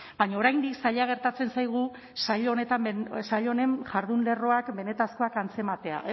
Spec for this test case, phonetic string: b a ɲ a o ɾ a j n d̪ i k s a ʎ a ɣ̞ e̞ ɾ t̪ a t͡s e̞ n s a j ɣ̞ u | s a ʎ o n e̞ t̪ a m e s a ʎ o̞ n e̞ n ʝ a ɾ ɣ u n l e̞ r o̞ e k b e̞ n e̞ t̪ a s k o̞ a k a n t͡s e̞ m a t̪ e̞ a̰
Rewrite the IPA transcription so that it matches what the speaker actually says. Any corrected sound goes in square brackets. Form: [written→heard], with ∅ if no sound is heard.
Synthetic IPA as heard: b a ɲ a o ɾ a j n d̪ i k s a ʎ a ɣ̞ e̞ ɾ t̪ a t͡s e̞ n s a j ɣ̞ u | s a ʎ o n e̞ t̪ a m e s a ʎ o̞ n e̞ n ʝ a ɾ [ɣ→ð] u n l e̞ r o̞ [e→a] k b e̞ n e̞ t̪ a s k o̞ a k a n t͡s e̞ m a t̪ e̞ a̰